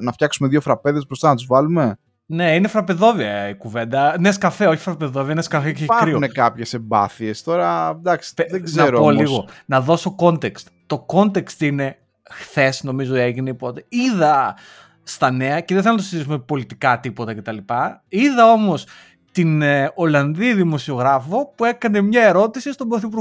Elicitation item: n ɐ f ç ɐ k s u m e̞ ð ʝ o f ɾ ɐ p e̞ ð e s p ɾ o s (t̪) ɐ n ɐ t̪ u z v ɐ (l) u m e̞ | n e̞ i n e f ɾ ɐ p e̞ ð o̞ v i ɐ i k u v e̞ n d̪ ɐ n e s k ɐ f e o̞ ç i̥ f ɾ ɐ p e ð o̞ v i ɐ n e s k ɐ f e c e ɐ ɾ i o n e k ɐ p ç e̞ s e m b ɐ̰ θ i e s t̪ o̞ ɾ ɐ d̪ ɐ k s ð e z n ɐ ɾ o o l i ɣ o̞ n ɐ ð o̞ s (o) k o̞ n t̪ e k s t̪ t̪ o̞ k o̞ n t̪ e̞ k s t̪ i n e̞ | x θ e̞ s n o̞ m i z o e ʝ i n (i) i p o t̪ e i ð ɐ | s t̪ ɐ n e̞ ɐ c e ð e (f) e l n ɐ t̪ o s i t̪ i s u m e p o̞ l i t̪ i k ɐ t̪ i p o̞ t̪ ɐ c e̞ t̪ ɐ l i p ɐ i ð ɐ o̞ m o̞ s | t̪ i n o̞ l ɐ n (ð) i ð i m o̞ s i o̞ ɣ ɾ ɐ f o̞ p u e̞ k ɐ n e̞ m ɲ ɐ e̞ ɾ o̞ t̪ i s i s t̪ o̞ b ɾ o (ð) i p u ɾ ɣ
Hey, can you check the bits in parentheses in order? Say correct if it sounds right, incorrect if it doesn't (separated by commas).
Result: correct, correct, correct, incorrect, incorrect, correct, incorrect